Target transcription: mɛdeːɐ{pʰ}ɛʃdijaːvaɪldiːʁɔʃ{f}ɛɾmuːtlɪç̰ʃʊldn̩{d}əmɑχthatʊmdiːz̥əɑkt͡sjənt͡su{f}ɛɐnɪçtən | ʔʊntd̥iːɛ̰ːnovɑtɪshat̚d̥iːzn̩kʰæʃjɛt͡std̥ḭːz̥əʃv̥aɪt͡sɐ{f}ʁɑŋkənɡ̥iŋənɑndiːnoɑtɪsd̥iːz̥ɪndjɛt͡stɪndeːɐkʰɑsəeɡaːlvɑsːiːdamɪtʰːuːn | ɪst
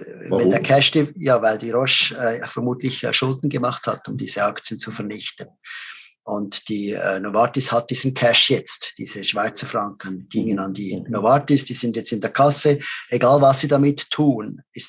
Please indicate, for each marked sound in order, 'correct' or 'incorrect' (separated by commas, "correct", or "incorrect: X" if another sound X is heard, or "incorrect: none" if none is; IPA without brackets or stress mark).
incorrect: kʰ, correct, incorrect: ɡ, correct, correct